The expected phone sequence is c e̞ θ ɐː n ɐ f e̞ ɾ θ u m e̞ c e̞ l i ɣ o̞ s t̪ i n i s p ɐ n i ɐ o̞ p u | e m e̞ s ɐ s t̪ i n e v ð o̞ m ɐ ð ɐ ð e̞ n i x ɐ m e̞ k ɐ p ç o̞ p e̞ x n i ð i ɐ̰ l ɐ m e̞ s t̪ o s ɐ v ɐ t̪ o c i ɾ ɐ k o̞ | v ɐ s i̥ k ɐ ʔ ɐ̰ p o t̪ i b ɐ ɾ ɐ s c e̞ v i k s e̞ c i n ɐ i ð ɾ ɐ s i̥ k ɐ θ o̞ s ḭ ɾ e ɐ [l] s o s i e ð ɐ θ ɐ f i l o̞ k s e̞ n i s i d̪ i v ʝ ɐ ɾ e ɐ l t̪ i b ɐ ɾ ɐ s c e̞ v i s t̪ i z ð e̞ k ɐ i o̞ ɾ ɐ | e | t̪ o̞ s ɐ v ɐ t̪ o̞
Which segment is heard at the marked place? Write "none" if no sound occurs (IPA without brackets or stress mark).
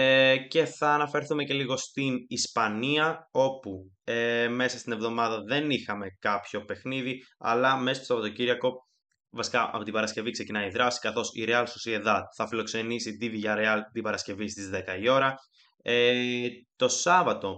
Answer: l